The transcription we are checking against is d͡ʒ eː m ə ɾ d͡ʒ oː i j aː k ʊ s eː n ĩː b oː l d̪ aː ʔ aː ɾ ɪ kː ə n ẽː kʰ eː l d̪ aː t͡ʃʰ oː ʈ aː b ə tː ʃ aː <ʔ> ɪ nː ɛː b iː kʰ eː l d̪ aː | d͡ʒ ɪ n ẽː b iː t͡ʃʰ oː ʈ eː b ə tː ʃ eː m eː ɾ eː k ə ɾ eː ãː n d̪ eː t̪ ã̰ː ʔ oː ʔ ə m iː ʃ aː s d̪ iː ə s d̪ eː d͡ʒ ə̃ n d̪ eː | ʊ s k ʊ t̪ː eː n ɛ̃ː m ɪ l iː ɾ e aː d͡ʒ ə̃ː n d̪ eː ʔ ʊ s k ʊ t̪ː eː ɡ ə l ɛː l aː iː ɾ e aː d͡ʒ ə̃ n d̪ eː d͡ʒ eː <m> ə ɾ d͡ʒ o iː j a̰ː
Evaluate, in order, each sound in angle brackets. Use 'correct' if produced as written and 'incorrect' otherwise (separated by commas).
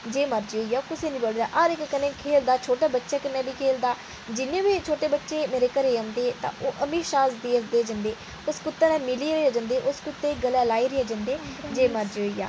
incorrect, correct